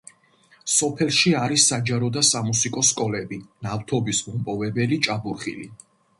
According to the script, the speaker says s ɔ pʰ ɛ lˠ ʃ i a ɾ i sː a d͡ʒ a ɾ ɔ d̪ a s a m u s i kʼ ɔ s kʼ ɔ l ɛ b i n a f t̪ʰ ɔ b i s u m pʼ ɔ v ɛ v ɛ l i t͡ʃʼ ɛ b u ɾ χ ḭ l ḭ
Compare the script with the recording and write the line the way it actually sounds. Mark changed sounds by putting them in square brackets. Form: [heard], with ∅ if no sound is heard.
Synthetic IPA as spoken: s ɔ pʰ ɛ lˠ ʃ i a ɾ i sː a d͡ʒ a ɾ ɔ d̪ a s a m u s i kʼ ɔ s kʼ ɔ l ɛ b i n a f t̪ʰ ɔ b i s u m pʼ ɔ v ɛ [b] ɛ l i t͡ʃʼ [a] b u ɾ χ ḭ l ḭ